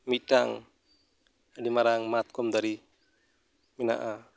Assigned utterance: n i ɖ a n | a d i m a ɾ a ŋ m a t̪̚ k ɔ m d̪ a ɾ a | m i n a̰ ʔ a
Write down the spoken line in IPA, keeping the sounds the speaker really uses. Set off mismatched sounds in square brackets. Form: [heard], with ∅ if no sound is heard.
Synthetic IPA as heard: [m] i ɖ a [ŋ] | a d i m a ɾ a ŋ m a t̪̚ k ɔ m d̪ a ɾ [i] | m i n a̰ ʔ a